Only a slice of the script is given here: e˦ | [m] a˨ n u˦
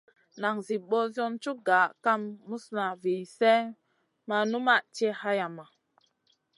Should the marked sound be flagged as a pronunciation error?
no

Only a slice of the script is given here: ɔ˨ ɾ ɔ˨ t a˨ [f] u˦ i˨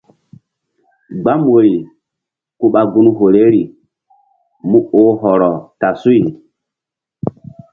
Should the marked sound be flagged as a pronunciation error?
yes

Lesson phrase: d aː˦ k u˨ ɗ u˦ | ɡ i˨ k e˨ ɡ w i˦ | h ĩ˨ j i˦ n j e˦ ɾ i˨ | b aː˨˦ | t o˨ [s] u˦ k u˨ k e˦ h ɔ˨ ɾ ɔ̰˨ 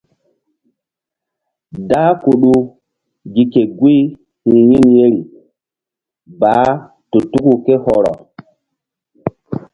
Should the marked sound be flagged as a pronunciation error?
yes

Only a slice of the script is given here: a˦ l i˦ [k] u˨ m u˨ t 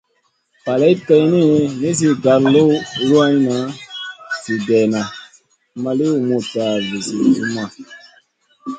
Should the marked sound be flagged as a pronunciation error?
yes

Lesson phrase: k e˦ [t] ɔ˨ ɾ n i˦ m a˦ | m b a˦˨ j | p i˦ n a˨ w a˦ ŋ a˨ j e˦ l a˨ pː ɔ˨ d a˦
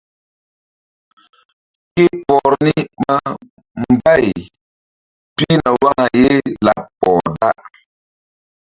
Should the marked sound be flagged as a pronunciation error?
yes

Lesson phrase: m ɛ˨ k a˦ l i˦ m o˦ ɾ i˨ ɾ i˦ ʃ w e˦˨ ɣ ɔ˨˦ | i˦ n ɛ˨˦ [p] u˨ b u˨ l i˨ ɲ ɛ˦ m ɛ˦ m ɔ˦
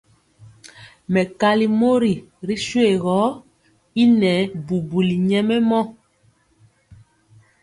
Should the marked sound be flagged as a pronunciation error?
yes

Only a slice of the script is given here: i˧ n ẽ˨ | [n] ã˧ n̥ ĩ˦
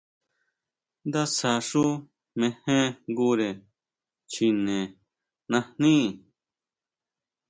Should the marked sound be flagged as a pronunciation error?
no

